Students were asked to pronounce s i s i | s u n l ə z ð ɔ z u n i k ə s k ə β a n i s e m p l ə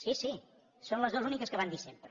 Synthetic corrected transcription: s i s i | s o n l ə z ð o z u n i k ə s k ə β a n i s e m p ɾ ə